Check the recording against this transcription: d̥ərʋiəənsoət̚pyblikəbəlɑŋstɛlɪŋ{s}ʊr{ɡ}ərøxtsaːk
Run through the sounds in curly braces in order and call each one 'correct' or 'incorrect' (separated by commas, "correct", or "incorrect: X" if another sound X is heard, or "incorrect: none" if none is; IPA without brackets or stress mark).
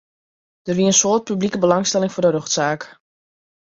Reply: incorrect: f, incorrect: d